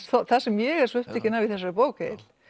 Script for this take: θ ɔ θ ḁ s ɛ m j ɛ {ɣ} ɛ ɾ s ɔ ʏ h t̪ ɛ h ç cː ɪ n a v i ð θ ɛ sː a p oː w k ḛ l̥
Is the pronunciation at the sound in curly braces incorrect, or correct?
correct